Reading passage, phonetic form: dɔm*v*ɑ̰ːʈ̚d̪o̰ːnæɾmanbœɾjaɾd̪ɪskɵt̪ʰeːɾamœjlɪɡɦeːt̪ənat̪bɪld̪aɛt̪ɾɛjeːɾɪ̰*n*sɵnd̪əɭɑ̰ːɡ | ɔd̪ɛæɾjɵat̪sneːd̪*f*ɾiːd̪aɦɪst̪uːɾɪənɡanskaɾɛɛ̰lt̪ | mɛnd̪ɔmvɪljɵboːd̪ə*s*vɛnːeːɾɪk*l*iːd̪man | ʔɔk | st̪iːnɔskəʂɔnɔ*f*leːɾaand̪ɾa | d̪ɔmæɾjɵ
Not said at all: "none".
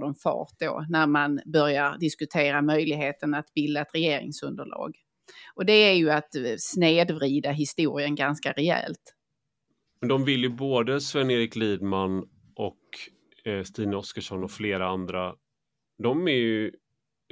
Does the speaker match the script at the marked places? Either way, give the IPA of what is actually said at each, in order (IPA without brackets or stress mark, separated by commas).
f, ŋ, v, s, l, f